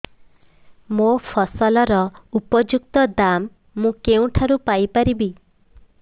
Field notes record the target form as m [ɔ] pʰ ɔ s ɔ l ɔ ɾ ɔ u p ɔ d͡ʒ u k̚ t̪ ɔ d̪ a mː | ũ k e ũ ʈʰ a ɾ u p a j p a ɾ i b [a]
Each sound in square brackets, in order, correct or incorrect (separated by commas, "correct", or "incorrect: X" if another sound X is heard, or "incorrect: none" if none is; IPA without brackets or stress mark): incorrect: o, incorrect: i